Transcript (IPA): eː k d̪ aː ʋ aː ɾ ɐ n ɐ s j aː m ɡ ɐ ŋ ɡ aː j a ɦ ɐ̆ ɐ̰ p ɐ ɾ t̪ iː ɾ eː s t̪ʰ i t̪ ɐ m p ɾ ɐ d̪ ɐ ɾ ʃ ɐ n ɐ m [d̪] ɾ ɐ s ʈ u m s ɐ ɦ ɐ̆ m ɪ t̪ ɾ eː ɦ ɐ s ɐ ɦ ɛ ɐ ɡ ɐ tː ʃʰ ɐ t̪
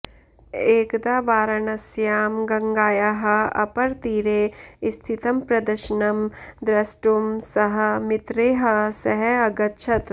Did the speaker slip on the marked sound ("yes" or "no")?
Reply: no